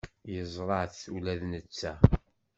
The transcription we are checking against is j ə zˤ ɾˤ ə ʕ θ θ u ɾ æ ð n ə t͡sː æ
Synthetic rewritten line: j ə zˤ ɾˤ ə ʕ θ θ u l æ ð n ə t͡sː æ